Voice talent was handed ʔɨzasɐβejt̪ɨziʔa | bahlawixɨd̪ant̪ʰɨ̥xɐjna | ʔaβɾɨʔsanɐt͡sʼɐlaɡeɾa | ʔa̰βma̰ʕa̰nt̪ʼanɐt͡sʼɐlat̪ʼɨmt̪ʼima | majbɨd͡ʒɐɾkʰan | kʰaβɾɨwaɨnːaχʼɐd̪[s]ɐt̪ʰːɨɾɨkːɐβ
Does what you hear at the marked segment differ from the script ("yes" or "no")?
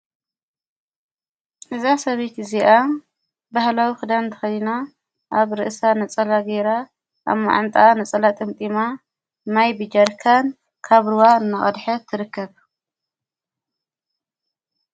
yes